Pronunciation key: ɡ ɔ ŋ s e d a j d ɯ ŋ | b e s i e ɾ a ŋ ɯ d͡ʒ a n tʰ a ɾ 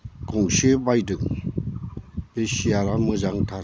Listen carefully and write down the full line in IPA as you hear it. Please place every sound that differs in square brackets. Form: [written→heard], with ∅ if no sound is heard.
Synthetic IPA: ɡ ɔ ŋ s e [d→b] a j d ɯ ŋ | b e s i [e→a] ɾ a [ŋ→m] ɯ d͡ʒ a [n→ŋ] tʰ a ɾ